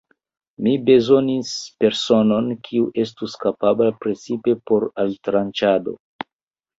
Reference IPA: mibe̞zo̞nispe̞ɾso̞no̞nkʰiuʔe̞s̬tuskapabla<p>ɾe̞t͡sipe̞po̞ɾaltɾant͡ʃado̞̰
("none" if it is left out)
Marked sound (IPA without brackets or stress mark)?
p